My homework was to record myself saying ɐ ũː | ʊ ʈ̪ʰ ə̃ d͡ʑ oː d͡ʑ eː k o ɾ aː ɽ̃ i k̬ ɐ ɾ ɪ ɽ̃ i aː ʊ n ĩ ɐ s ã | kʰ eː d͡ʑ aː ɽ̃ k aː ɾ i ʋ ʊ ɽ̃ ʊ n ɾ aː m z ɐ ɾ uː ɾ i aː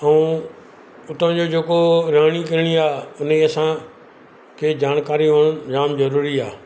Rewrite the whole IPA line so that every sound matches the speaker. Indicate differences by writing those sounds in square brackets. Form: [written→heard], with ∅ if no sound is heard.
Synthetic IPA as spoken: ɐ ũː | ʊ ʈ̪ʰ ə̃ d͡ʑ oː d͡ʑ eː k o ɾ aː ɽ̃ i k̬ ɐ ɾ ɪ ɽ̃ i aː ʊ n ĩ ɐ s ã | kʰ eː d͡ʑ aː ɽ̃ k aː ɾ i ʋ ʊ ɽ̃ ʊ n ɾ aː m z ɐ ɾ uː ɾ i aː